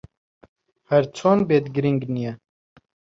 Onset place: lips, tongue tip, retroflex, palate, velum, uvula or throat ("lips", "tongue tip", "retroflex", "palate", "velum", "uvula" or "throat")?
throat